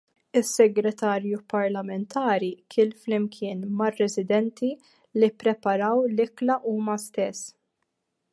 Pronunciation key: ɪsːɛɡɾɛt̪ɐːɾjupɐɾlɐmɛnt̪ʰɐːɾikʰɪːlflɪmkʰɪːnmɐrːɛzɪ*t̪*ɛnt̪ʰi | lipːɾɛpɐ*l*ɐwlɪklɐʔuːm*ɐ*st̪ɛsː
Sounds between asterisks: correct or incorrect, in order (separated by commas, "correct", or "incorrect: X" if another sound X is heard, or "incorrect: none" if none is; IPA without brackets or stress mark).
incorrect: d̪, incorrect: ɾ, correct